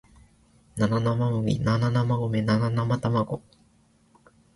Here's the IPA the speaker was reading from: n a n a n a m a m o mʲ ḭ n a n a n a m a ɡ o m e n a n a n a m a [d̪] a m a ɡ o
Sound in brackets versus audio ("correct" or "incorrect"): incorrect